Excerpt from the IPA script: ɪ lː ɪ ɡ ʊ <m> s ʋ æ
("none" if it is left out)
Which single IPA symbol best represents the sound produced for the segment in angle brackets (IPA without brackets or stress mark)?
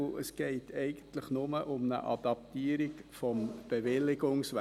ŋ